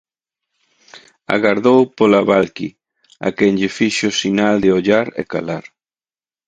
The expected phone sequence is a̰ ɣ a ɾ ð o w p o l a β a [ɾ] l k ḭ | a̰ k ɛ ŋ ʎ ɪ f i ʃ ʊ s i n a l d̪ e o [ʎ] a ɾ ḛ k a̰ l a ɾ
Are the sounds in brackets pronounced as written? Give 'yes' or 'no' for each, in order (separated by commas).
no, yes